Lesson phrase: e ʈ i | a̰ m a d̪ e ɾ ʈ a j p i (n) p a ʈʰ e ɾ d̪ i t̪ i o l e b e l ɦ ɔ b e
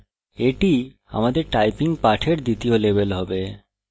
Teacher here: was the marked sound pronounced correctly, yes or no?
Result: no